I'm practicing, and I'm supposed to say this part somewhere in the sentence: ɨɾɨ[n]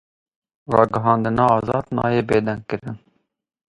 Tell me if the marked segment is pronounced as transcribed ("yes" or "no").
yes